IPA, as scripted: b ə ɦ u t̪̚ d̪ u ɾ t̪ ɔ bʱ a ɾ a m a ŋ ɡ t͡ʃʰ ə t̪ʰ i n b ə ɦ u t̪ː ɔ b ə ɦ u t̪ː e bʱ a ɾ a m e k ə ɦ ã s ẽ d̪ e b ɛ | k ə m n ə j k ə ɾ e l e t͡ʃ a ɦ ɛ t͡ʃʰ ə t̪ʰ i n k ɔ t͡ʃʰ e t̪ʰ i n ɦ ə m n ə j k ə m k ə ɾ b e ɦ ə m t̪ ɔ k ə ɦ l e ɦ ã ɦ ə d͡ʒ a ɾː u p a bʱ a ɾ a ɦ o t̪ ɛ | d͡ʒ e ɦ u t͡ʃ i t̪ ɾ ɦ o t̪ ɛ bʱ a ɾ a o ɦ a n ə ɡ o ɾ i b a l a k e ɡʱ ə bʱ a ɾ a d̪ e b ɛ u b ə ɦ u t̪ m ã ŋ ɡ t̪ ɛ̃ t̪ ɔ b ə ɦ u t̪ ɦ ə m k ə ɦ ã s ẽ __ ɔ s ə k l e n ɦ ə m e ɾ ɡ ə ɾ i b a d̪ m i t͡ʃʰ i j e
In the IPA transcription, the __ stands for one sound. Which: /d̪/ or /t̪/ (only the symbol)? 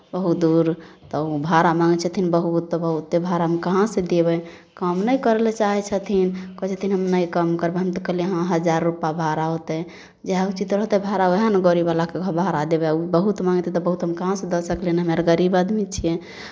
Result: d̪